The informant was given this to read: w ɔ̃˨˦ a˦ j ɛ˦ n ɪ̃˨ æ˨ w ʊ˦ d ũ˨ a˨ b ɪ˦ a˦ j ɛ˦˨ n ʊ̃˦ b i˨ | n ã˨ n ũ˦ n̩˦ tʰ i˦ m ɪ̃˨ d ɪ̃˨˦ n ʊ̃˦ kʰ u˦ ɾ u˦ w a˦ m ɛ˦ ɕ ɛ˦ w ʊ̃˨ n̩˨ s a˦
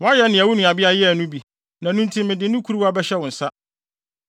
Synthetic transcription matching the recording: w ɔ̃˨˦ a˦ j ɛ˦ n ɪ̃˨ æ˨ w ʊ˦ n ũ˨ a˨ b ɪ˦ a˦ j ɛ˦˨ n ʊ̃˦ b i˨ | n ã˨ n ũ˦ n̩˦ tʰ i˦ m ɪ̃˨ d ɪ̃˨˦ n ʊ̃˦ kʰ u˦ ɾ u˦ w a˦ b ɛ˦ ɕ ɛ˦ w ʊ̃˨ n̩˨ s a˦